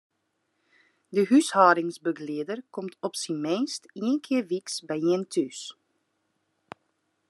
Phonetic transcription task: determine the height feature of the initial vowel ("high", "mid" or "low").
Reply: mid